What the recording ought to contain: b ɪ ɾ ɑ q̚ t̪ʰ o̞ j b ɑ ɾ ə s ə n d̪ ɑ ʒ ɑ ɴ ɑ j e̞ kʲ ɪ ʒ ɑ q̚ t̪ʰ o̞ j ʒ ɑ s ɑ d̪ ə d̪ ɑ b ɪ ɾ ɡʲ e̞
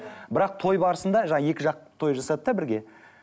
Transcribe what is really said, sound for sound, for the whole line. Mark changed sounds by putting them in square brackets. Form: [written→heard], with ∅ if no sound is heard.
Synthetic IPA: b ɪ ɾ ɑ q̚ t̪ʰ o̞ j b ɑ ɾ ə s ə n d̪ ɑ ʒ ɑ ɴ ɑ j e̞ kʲ ɪ ʒ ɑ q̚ t̪ʰ o̞ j ʒ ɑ s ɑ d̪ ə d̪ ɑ b ɪ ɾ ɡʲ e̞